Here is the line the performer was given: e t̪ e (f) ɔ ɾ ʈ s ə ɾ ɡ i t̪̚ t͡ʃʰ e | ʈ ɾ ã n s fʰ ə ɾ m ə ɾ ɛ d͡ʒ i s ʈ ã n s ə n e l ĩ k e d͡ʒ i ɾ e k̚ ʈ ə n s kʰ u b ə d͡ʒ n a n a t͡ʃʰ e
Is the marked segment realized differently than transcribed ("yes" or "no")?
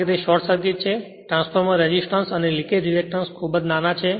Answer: yes